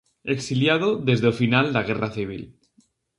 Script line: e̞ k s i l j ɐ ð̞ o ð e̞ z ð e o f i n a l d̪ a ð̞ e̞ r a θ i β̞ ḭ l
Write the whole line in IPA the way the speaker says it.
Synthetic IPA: e̞ k s i l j a ð̞ o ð e̞ z ð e o f i n a l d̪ a ɣ̞ e̞ r a θ i β̞ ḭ l